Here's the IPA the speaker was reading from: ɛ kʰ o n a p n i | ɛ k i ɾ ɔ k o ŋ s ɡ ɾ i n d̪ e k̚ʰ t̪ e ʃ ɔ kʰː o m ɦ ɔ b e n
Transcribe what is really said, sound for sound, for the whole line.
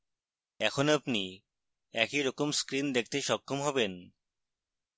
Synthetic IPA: ɛ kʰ o n a p n i | ɛ k i ɾ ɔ k o m s k ɾ i n d̪ e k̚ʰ t̪ e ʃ ɔ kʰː o m ɦ ɔ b e n